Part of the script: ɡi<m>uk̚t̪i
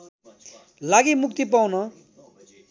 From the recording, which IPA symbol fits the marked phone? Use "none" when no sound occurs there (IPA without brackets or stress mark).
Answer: m